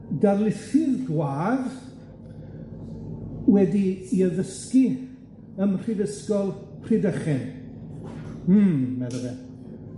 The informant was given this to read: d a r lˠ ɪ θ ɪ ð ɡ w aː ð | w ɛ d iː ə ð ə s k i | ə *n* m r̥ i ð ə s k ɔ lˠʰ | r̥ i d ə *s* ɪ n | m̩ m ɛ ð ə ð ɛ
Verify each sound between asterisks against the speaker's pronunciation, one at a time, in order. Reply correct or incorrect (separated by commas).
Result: incorrect, incorrect